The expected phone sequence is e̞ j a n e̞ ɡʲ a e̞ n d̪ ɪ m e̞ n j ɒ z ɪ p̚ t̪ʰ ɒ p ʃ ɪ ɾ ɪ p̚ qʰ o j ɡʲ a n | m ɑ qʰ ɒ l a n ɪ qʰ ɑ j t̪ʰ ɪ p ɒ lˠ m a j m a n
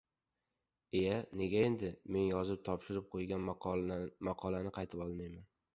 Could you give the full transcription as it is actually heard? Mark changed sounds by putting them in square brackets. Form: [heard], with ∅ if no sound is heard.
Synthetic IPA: e̞ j a n e̞ ɡʲ a e̞ n d̪ ɪ m e̞ n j ɒ z ɪ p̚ t̪ʰ ɒ p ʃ ɪ ɾ ɪ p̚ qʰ o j ɡʲ a n | m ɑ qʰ ɒ l a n ɪ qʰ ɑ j t̪ʰ ɪ p ɒ lˠ m a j m a n